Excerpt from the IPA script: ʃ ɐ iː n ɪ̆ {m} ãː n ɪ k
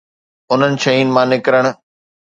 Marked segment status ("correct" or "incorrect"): correct